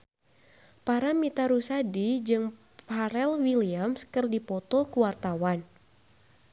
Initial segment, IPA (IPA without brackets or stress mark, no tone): p